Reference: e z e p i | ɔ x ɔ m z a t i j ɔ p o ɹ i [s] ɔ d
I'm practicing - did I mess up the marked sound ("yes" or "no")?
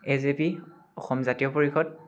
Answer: yes